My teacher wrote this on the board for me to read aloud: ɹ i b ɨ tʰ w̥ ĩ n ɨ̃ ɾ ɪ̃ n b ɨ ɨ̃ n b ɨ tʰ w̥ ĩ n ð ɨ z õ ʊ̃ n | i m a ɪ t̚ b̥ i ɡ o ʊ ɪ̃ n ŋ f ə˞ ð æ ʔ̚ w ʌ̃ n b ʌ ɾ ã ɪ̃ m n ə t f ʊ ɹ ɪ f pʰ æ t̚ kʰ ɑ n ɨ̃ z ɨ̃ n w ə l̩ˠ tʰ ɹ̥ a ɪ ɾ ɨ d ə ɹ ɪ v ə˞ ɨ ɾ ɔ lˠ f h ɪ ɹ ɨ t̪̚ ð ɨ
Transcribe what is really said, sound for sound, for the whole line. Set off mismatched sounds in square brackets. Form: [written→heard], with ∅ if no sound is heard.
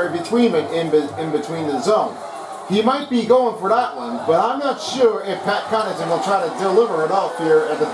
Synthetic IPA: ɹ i b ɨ tʰ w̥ ĩ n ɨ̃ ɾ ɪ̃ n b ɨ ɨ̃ n b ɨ tʰ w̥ ĩ n ð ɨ z õ ʊ̃ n | i m a ɪ t̚ b̥ i ɡ o ʊ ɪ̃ [n→∅] ŋ f ə˞ ð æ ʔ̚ w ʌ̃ n b ʌ ɾ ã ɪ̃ m n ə t [f→ʃ] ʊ ɹ ɪ f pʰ æ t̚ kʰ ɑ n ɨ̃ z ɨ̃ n w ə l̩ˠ tʰ ɹ̥ a ɪ ɾ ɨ d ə [ɹ→l] ɪ v ə˞ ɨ ɾ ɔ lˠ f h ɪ ɹ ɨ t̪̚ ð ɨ